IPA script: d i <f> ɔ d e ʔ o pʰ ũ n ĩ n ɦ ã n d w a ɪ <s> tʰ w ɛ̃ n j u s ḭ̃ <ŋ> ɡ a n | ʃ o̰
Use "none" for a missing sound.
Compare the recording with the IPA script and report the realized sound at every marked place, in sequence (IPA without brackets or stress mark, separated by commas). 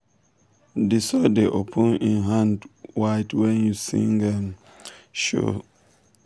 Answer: s, none, ŋ